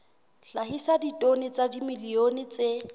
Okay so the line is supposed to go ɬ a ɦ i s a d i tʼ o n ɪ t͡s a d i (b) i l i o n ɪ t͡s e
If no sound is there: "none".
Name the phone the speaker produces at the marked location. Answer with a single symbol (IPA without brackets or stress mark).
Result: m